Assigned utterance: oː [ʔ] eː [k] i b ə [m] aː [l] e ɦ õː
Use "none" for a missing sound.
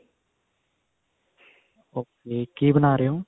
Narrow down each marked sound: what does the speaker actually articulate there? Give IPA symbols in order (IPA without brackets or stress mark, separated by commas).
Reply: k, k, n, ɾ